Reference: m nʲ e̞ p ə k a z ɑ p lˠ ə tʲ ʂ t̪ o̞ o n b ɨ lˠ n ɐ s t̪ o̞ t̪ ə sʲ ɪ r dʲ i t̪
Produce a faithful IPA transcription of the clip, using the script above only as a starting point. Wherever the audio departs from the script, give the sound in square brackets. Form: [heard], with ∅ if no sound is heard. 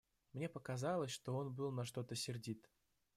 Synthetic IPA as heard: m nʲ e̞ p ə k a z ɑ [∅] lˠ ə [sʲ] ʂ t̪ o̞ o n b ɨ lˠ n ɐ [ʂ] t̪ o̞ t̪ ə sʲ ɪ r dʲ i t̪